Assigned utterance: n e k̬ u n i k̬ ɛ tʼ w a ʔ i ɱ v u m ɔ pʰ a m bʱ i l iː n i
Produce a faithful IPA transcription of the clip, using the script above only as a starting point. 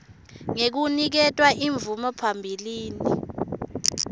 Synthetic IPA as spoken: ŋ e k̬ u n i k̬ ɛ tʼ w a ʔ i ɱ v u m ɔ pʰ a m bʱ i l iː n i